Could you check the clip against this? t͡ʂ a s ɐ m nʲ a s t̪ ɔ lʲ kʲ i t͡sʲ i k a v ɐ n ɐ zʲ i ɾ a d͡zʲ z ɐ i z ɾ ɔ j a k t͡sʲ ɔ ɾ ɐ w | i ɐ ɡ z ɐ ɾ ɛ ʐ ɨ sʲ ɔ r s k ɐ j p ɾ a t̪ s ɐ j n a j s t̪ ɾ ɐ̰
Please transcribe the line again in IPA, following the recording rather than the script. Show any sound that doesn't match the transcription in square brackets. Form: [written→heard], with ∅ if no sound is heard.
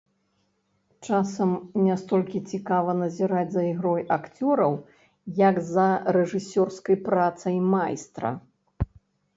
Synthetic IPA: t͡ʂ a s ɐ m nʲ a s t̪ ɔ lʲ kʲ i t͡sʲ i k a v ɐ n ɐ zʲ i ɾ a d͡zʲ z ɐ i [z→ɣ] ɾ ɔ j a k t͡sʲ ɔ ɾ ɐ w | [i→j] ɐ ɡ z ɐ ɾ ɛ ʐ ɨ sʲ ɔ r s k ɐ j p ɾ a t̪ s ɐ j [n→m] a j s t̪ ɾ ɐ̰

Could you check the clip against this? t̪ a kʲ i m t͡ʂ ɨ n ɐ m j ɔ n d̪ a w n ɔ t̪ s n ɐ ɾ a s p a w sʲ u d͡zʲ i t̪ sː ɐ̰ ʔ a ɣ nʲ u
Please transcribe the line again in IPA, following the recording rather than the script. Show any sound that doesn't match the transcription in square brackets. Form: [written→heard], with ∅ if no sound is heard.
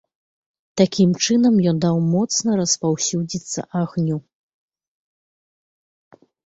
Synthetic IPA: t̪ a kʲ i m t͡ʂ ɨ n ɐ m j ɔ n d̪ a w [n→m] ɔ t̪ s n ɐ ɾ [a→ɐ] s p a w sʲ u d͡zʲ i t̪ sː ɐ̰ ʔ a ɣ nʲ u

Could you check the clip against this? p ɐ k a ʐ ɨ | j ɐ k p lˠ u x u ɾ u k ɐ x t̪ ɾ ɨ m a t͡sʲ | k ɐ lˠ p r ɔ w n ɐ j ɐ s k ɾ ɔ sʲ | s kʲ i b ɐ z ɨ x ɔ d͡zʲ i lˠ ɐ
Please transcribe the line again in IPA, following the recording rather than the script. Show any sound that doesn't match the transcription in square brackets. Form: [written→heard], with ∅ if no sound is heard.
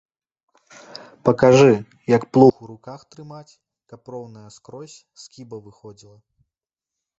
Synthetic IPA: p ɐ k a ʐ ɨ | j ɐ k p lˠ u x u ɾ u k [ɐ→a] x t̪ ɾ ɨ m a t͡sʲ | k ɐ [lˠ→∅] p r ɔ w n ɐ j ɐ s k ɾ ɔ sʲ | s kʲ i b ɐ [z→v] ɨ x ɔ d͡zʲ i lˠ ɐ

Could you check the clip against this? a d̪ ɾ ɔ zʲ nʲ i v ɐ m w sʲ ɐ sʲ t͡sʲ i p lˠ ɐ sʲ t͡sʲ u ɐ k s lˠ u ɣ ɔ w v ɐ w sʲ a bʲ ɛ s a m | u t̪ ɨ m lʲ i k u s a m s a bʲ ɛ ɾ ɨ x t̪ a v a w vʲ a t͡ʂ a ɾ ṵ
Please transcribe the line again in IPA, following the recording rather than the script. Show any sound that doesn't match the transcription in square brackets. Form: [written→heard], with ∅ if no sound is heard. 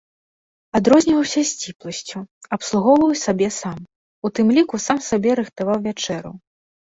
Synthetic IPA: a d̪ ɾ ɔ zʲ nʲ i v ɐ [m→∅] w sʲ ɐ sʲ t͡sʲ i p lˠ ɐ sʲ t͡sʲ u ɐ [k→p] s lˠ u ɣ ɔ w v ɐ w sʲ a bʲ ɛ s a m | u t̪ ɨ m lʲ i k u s a m s a bʲ ɛ ɾ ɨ x t̪ a v a w vʲ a t͡ʂ [a→ɛ] ɾ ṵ

